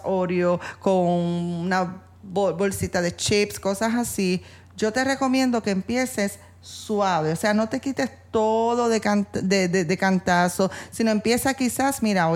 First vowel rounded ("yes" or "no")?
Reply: yes